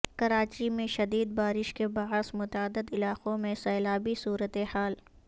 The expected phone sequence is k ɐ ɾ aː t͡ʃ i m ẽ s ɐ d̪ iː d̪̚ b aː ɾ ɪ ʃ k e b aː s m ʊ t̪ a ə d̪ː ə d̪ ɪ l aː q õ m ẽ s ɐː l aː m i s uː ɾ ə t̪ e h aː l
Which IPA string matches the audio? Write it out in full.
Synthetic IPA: k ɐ ɾ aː t͡ʃ i m ẽ ʃ ɐ d̪ iː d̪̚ b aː ɾ ɪ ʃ k e b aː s m ʊ t̪ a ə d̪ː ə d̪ ɪ l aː q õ m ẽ s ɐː l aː b i s uː ɾ ə t̪ e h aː l